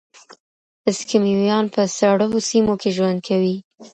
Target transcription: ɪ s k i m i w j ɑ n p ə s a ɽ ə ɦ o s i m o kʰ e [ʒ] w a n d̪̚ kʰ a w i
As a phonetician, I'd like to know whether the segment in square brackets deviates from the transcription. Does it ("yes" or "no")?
no